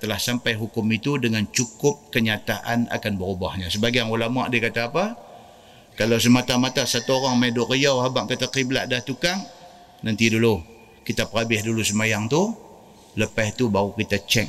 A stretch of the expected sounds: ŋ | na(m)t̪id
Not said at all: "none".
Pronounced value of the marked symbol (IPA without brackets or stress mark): n